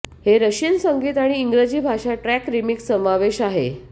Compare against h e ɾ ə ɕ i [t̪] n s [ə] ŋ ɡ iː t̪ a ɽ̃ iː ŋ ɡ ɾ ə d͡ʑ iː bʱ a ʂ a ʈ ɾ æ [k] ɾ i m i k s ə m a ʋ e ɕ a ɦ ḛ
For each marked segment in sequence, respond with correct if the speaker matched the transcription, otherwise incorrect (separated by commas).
incorrect, correct, correct